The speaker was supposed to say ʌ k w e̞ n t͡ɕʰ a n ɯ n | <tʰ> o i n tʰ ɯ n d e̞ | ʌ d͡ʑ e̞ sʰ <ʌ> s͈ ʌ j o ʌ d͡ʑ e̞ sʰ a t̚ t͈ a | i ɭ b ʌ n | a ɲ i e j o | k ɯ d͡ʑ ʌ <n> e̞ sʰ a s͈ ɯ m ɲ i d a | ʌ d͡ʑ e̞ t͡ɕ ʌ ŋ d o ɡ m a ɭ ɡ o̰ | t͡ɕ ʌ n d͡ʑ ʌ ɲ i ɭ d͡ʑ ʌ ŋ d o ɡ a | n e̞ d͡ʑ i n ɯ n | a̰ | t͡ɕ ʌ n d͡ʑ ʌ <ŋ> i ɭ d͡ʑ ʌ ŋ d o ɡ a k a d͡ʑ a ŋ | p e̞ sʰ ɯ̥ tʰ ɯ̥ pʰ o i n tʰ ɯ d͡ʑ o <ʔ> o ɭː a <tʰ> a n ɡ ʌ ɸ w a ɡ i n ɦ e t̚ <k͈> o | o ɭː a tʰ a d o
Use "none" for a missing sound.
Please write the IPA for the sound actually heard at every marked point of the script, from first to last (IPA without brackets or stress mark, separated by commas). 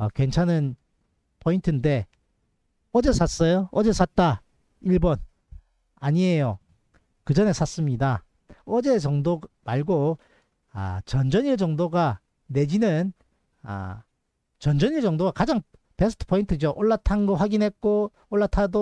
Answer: pʰ, a, n, ɲ, ʔ, tʰ, k͈